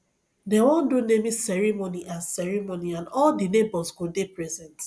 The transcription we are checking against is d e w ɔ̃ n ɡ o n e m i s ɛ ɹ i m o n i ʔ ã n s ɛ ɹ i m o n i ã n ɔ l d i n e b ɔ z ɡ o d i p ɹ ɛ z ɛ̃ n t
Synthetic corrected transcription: d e w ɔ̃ n d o n e m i s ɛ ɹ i m o n i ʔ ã n s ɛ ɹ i m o n i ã n ɔ l d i n e b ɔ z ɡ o d e p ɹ ɛ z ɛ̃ n t